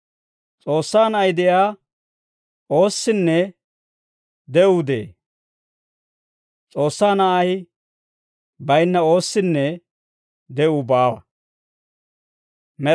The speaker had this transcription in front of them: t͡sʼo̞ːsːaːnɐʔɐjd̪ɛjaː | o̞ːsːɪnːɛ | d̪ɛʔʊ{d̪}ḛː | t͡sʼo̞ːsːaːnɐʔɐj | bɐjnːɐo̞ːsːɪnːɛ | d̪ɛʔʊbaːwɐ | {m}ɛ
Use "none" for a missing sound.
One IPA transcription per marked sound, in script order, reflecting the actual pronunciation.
d̪, m

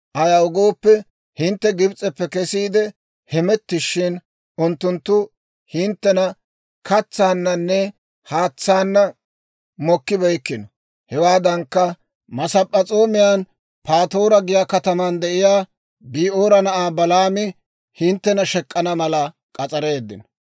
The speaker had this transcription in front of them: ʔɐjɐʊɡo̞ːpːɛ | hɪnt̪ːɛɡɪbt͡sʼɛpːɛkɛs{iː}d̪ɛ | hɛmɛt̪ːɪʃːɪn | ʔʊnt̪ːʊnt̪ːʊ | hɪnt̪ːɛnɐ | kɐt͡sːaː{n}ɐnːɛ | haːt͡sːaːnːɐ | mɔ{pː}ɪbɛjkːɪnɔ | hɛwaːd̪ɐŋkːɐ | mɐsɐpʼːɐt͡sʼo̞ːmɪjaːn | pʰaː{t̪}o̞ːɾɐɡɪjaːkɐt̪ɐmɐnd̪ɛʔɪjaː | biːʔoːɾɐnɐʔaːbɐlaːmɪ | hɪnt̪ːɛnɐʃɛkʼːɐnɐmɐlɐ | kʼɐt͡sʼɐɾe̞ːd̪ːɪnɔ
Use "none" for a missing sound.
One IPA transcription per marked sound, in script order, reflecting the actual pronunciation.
iː, nː, kː, t̪

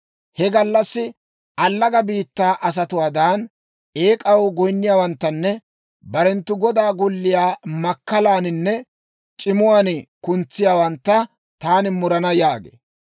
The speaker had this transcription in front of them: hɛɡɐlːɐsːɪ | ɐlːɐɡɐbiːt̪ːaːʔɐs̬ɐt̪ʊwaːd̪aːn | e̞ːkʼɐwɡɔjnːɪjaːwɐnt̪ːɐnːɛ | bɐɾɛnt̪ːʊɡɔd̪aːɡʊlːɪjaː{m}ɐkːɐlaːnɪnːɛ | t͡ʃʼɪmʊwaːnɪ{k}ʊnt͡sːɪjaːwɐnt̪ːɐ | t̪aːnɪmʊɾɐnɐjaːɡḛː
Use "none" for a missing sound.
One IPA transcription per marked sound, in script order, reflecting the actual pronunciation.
m, k

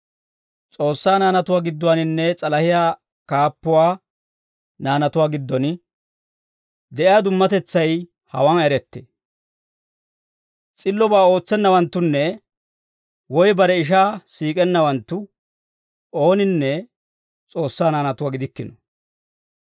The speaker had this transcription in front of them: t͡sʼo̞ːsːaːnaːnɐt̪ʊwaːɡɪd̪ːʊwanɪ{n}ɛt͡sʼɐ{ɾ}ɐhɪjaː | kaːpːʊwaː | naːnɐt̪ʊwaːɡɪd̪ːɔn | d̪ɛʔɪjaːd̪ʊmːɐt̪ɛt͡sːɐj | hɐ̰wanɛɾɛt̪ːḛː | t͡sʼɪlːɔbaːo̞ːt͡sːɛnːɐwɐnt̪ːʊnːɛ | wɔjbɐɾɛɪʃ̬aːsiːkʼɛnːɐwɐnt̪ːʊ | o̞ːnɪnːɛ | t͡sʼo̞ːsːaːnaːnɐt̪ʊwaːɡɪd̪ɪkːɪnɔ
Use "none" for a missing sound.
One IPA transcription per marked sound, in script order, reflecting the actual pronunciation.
nː, l

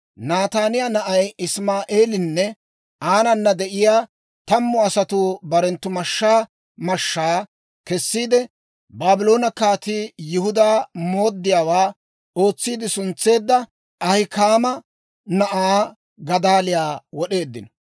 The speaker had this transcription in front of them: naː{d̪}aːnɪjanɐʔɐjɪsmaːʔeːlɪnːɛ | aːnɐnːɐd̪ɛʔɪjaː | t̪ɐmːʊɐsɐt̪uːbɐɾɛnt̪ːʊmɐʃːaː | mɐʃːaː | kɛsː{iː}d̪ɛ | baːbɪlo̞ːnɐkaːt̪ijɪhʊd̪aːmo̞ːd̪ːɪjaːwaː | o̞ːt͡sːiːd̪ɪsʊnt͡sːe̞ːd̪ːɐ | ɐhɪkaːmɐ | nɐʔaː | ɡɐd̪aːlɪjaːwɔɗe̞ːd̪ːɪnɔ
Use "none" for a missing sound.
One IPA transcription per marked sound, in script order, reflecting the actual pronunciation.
t̪, iː

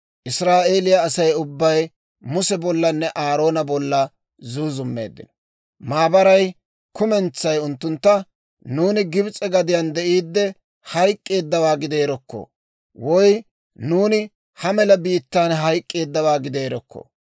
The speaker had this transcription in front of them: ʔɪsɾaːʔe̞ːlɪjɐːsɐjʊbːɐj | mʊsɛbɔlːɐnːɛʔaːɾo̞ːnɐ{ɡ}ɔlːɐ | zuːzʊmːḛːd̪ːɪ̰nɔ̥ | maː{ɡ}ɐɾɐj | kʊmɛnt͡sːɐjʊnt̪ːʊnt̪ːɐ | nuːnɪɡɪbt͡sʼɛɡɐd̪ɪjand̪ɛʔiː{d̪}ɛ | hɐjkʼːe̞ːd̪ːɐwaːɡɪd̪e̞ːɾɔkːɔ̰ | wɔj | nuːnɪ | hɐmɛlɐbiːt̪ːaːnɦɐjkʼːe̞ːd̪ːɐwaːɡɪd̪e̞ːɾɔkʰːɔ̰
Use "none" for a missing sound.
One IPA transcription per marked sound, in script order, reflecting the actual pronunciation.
b, b, d̪ː

